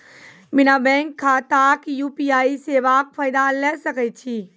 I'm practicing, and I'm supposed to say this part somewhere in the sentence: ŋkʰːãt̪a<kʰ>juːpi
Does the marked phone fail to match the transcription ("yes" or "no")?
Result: yes